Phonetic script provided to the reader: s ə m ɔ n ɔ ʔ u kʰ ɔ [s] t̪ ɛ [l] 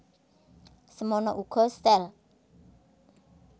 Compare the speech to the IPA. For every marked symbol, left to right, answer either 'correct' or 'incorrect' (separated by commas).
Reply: correct, correct